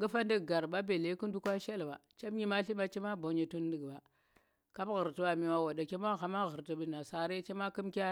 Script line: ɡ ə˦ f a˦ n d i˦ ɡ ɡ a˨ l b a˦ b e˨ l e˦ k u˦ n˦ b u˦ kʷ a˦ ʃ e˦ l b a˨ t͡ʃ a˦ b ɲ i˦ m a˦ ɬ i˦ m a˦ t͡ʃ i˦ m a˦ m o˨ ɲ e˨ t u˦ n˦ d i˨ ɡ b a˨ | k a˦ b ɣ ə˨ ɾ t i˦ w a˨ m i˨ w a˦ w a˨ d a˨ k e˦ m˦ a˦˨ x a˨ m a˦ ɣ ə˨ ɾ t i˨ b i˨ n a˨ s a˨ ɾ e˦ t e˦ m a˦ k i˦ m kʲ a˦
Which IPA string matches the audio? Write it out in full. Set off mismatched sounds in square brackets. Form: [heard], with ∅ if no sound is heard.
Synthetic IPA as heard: ɡ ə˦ f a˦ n d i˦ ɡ ɡ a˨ [ɾ] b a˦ b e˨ l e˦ k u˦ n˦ [d] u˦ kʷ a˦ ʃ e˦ l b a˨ t͡ʃ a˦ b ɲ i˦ m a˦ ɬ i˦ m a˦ t͡ʃ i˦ m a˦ [b] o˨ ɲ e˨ t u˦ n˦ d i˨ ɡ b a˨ | k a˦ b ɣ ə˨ ɾ t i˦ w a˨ m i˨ w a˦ w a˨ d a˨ k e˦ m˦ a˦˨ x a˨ m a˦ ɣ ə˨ ɾ t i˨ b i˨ n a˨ s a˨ ɾ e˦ [t͡ʃ] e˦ m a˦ k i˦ m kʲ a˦